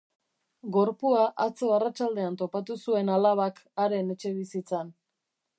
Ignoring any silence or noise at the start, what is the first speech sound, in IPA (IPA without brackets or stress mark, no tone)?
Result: ɡ